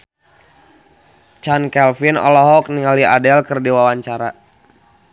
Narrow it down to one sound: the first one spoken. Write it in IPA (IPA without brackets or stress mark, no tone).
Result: t͡ʃ